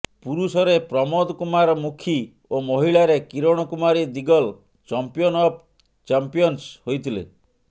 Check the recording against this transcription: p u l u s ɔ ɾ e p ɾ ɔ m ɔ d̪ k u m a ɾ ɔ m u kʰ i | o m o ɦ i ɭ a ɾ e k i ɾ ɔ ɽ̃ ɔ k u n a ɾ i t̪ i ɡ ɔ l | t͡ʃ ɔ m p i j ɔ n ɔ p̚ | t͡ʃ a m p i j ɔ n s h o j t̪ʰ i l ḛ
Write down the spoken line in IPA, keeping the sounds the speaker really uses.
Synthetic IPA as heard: p u ɾ u s ɔ ɾ e p ɾ ɔ m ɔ d̪ k u m a ɾ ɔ m u kʰ i | o m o ɦ i ɭ a ɾ e k i ɾ ɔ ɽ̃ ɔ k u m a ɾ i d̪ i ɡ ɔ l | t͡ʃ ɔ m p i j ɔ n ɔ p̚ | t͡ʃ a m p i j ɔ n s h o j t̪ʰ i l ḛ